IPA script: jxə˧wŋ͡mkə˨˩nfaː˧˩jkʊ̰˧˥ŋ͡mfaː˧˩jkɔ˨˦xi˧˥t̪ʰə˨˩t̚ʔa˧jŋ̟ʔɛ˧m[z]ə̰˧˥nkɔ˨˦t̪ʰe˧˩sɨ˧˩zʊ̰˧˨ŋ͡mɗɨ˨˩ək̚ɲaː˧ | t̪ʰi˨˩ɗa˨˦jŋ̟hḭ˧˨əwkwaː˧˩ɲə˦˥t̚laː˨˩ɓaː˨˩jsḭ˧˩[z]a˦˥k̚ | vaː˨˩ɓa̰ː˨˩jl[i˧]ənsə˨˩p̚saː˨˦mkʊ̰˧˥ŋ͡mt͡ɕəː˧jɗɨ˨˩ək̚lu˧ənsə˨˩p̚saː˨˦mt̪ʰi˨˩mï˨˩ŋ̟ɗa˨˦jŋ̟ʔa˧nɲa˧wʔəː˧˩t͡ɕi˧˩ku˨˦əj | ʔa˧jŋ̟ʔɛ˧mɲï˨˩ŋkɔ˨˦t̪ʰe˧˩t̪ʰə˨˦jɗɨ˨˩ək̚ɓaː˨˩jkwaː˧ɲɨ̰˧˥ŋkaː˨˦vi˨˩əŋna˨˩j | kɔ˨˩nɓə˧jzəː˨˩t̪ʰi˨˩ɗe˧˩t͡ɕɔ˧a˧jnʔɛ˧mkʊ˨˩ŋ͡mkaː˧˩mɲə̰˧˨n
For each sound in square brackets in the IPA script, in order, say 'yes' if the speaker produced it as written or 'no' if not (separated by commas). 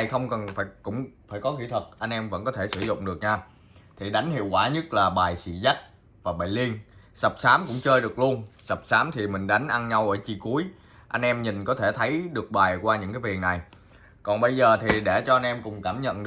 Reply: no, yes, yes